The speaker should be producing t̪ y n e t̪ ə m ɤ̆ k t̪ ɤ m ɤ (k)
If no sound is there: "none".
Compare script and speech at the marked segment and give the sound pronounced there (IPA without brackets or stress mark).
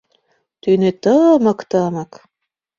k